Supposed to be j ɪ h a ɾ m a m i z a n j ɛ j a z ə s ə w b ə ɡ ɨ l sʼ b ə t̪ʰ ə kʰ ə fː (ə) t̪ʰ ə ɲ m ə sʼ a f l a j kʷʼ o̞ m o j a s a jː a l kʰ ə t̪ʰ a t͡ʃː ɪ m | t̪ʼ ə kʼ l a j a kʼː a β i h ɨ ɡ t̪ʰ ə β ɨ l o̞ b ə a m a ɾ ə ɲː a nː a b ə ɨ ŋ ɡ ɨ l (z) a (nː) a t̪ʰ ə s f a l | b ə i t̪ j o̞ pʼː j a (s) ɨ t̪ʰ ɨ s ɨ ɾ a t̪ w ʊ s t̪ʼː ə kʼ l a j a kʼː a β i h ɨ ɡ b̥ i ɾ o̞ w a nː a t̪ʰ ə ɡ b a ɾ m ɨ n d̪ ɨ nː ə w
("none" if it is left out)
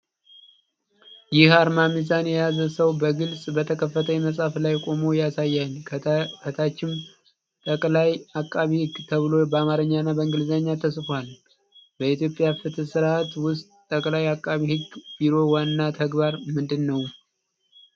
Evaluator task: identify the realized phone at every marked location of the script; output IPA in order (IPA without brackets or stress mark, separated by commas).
ə, z, ɲː, f